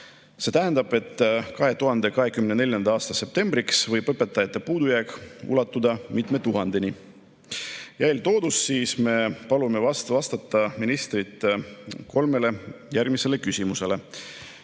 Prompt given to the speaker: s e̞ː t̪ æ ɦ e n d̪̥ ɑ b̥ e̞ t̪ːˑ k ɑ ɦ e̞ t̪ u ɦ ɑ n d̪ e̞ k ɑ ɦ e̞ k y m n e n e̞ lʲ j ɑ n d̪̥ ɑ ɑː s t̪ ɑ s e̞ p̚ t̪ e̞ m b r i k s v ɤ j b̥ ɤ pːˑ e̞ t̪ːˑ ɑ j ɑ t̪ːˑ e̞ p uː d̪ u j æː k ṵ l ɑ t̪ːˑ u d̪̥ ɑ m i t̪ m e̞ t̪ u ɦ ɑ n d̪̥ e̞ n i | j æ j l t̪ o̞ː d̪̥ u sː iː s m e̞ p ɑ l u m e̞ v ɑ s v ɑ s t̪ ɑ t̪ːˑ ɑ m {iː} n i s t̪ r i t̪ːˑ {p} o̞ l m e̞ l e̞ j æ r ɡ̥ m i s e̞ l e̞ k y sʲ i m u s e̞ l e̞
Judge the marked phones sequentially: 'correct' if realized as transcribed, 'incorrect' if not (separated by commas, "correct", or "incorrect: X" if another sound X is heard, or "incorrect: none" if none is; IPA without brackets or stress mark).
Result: incorrect: i, incorrect: k